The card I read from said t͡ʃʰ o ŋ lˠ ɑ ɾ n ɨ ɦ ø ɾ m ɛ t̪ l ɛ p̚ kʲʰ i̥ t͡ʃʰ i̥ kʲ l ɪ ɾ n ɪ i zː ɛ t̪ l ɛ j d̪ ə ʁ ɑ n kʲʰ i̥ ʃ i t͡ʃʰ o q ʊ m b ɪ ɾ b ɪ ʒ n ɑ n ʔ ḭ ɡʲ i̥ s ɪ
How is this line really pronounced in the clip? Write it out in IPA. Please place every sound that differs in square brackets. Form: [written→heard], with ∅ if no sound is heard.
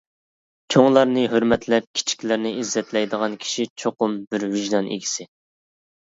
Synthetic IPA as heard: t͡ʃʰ o ŋ lˠ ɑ ɾ n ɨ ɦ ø ɾ m ɛ t̪ l ɛ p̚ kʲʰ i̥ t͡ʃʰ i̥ kʲ l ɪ ɾ n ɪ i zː ɛ t̪ l ɛ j d̪ ə ʁ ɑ n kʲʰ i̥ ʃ i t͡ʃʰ o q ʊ m b ɪ ɾ [b→v] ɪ ʒ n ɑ n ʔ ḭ ɡʲ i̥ s ɪ